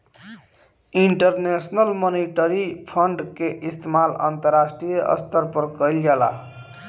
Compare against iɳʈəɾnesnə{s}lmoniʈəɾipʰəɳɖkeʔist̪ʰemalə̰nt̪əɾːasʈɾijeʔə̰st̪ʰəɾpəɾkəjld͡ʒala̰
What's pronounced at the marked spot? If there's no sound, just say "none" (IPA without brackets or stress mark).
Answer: none